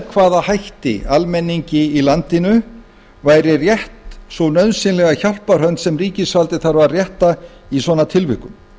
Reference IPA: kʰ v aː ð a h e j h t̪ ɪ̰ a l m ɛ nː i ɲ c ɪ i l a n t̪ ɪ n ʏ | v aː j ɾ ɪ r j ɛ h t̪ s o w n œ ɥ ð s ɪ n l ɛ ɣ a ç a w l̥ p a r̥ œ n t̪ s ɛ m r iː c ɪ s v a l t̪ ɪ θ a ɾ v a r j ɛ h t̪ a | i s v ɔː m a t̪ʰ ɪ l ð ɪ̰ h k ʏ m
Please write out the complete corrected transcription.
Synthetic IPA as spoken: kʰ v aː ð a h a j h t̪ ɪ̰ a l m ɛ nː i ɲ c ɪ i l a n t̪ ɪ n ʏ | v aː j ɾ ɪ r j ɛ h t̪ s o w n œ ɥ ð s ɪ n l ɛ ɣ a ç a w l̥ p a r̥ œ n t̪ s ɛ m r iː c ɪ s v a l t̪ ɪ θ a ɾ v a r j ɛ h t̪ a | i s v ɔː n a t̪ʰ ɪ l v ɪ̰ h k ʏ m